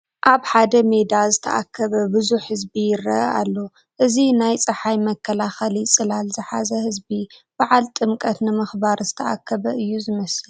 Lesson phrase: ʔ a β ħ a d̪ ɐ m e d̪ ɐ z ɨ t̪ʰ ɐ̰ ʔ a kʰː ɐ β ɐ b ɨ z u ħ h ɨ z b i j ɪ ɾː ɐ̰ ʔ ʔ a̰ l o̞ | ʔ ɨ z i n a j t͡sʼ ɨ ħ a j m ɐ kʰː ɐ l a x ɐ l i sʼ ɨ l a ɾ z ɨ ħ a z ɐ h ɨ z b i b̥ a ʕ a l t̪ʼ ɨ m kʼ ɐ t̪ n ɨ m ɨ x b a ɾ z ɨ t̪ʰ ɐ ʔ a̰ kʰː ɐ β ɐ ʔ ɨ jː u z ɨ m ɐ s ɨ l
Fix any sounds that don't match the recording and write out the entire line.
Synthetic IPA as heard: ʔ a β ħ a d̪ ɐ m e d̪ a z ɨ t̪ʰ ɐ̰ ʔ a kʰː ɐ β ɐ b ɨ z u ħ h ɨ z b i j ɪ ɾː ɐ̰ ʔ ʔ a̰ lː o̞ | ʔ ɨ z i n a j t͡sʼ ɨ ħ a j m ɐ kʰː ɐ l a x ɐ l i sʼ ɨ l a l z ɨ ħ a z ɐ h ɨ z b i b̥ a ʕ a l t̪ʼ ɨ m kʼ ɐ t̪ n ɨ m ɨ x b a ɾ z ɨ t̪ʰ ɐ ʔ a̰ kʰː ɐ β ɐ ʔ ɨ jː u z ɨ m ɐ s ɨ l

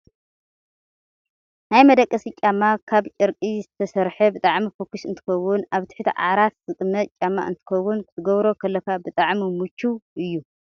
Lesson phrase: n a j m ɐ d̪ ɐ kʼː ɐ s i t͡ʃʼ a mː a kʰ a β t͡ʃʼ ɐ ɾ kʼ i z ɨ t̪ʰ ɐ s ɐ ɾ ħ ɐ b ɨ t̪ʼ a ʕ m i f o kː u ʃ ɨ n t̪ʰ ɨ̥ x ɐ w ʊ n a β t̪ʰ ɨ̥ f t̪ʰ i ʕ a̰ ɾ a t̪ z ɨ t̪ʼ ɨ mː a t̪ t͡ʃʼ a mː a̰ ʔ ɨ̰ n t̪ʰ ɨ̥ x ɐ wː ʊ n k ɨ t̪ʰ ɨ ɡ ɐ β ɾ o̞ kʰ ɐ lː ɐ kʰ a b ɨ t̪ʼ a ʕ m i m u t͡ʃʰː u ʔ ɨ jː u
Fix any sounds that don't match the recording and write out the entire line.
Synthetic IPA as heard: n a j m ɐ d̪ ɐ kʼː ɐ s i t͡ʃʼ a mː a kʰ a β t͡ʃʼ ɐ ɾ kʼ i z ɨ t̪ʰ ɐ s ɐ ɾ ħ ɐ b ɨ t̪ʼ a ʕ m i f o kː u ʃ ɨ n t̪ʰ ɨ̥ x ɐ w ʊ n a β t̪ʰ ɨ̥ ħ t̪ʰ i ʕ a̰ ɾ a t̪ z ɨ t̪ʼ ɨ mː ɐ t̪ t͡ʃʼ a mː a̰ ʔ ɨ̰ n t̪ʰ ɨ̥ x ɐ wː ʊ n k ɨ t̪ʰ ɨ ɡ ɐ β ɾ o̞ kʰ ɐ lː ɐ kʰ a b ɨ t̪ʼ a ʕ m i m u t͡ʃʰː u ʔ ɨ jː u

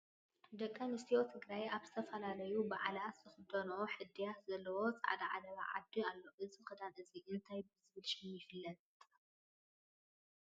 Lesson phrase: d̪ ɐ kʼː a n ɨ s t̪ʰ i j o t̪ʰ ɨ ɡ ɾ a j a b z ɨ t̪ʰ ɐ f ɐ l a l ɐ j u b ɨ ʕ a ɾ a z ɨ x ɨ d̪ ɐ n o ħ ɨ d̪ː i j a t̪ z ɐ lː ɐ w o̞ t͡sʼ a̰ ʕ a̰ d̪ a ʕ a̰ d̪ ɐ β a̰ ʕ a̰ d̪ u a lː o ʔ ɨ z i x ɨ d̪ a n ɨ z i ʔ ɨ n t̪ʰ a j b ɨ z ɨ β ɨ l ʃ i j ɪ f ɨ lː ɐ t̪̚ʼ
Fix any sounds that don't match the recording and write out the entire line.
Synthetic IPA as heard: d̪ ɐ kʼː a n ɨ s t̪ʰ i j o t̪ʰ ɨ ɡ ɾ a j a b z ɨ t̪ʰ ɐ f ɐ l a l ɐ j u b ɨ ʕ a l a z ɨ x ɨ d̪ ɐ n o ħ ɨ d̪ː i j a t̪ z ɐ lː ɐ w o̞ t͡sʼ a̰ ʕ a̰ d̪ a ʕ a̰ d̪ ɐ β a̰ ʕ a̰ d̪ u a lː o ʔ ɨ z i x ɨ d̪ a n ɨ z i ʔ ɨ n t̪ʰ a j b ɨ z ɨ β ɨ l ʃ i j ɪ f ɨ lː ɐ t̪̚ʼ

